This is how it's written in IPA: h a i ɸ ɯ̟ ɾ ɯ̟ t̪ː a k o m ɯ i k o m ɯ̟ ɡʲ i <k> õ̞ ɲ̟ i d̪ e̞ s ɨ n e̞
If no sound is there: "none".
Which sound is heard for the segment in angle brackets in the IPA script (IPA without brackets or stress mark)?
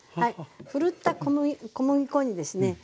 k